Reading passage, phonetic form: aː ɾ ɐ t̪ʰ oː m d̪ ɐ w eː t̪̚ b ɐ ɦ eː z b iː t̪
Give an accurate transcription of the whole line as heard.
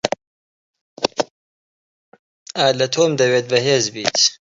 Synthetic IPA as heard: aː l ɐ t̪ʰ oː m d̪ ɐ w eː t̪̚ b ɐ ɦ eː z b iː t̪